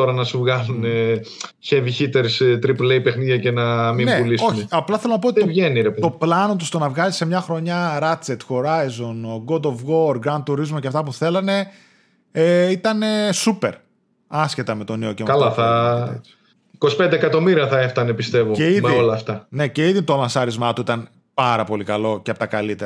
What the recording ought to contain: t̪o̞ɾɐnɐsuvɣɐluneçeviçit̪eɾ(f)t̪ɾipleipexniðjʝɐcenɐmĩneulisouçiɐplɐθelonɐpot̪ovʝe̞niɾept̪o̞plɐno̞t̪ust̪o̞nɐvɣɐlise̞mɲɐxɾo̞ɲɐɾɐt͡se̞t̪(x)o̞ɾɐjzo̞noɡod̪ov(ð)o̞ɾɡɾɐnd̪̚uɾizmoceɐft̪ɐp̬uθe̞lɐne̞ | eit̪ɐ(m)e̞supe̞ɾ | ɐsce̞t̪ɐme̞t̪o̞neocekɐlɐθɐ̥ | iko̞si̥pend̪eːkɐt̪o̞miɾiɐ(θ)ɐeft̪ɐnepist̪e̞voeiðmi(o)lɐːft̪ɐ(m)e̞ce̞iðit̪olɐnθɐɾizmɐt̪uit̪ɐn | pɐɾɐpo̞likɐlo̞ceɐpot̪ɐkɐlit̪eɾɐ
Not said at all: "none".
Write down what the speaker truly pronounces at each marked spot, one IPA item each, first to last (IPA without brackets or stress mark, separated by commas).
s, x, ɣ, n, θ, o, n